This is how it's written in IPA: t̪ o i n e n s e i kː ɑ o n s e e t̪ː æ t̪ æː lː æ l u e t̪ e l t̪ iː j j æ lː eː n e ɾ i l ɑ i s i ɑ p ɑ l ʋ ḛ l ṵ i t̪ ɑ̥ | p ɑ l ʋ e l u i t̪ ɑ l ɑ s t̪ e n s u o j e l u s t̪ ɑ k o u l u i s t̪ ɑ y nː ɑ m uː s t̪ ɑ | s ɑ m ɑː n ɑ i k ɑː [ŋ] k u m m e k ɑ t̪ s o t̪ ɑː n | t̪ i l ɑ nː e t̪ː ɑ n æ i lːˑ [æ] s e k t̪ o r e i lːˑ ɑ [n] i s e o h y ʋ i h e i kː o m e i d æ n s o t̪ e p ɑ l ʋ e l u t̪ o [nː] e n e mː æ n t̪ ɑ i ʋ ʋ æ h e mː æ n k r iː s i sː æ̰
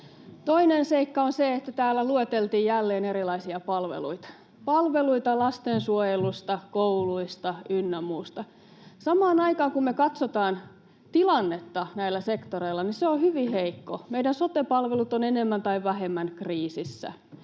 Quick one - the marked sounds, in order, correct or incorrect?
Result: correct, correct, correct, incorrect

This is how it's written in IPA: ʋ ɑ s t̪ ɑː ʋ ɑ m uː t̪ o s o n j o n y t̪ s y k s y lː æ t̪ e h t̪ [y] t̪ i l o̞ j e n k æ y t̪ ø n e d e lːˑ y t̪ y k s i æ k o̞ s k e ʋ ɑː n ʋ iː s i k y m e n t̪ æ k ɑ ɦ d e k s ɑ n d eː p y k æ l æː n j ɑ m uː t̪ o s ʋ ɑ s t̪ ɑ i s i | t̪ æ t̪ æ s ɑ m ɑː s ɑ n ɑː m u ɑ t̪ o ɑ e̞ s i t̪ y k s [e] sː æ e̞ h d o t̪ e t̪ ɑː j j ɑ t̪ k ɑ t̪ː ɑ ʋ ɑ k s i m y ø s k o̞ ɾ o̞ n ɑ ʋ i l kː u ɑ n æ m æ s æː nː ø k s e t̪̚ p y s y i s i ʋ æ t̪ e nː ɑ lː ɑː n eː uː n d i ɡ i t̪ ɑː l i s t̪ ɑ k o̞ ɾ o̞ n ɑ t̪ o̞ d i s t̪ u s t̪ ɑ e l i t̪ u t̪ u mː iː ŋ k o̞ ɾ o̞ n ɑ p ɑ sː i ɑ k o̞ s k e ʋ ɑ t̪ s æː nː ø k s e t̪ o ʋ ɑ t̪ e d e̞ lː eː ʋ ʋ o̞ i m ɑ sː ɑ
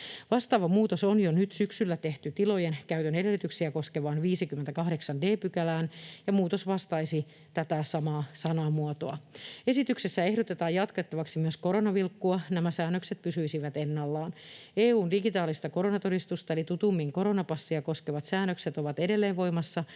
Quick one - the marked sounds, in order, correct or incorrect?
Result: correct, correct

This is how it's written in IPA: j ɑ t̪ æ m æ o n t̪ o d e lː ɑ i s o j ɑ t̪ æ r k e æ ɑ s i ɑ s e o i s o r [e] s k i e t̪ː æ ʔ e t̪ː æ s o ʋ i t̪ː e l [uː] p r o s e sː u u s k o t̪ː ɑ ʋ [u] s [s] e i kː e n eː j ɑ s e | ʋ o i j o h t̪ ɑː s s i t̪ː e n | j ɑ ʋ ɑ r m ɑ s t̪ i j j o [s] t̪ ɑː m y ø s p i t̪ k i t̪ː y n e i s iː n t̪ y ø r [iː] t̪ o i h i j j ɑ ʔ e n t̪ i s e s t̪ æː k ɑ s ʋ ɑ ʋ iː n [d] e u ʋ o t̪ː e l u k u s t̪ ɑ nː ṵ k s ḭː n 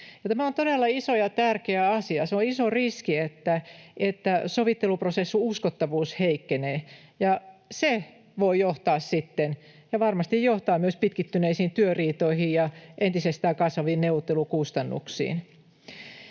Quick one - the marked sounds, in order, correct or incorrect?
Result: incorrect, incorrect, incorrect, incorrect, incorrect, correct, incorrect

